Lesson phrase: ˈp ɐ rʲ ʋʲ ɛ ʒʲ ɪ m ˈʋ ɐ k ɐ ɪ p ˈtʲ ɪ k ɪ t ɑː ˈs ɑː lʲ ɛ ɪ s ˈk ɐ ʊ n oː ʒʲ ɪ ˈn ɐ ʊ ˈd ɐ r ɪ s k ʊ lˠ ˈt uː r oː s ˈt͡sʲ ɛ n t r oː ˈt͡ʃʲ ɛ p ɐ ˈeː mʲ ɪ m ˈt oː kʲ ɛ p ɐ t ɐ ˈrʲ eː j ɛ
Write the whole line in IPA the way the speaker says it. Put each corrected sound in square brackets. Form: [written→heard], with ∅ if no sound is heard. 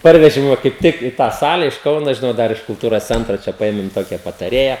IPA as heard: ˈp ɐ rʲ ʋʲ ɛ ʒʲ ɪ m ˈʋ ɐ k ɐ ɪ p ˈtʲ ɪ k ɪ t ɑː ˈs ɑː lʲ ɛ ɪ [s→ʃ] ˈk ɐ ʊ n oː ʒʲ ɪ ˈn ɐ ʊ ˈd ɐ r ɪ [s→ʃ] k ʊ lˠ ˈt uː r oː s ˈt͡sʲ ɛ n t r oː ˈt͡ʃʲ ɛ p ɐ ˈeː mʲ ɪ m ˈt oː kʲ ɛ p ɐ t ɐ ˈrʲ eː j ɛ